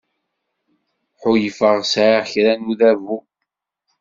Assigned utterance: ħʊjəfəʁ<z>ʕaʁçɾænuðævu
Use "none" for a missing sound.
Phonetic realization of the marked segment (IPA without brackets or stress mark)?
s